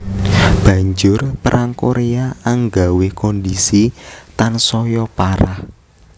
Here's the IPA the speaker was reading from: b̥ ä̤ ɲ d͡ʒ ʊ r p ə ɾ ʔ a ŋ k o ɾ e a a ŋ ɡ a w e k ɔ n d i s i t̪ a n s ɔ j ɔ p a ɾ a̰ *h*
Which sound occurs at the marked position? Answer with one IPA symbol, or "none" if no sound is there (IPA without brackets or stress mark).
h